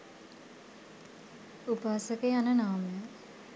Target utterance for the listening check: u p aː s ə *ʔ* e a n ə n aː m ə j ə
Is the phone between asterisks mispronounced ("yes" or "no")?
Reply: yes